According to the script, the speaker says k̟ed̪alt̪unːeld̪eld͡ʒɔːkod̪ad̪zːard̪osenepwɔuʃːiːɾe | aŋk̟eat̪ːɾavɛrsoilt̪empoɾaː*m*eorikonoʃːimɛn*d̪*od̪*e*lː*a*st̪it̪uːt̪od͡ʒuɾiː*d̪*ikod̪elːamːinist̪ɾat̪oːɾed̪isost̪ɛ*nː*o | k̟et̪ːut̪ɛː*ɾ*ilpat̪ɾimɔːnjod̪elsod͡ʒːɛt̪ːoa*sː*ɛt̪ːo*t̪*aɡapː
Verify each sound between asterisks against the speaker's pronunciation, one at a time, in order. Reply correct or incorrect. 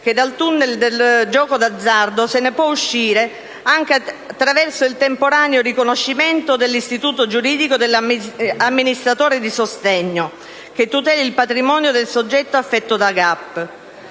incorrect, incorrect, correct, incorrect, correct, incorrect, incorrect, incorrect, incorrect

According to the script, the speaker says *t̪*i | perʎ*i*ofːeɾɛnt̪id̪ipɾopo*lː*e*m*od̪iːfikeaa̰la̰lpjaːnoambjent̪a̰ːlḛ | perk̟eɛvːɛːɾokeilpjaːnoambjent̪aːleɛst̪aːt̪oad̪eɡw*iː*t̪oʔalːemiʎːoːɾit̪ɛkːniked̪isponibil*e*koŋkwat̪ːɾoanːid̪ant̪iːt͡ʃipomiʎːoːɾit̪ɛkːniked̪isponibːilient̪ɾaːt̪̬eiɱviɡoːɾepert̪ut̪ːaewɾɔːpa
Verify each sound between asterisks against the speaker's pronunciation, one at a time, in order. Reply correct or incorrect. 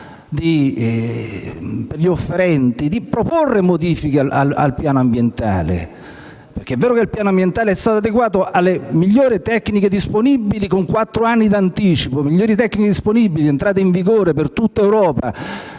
incorrect, correct, incorrect, correct, incorrect, incorrect

